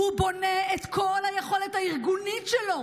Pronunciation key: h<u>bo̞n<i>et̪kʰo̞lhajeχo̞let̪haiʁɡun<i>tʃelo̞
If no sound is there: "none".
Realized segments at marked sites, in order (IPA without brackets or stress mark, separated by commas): u, e, i